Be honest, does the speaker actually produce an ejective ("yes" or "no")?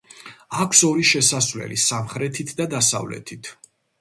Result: no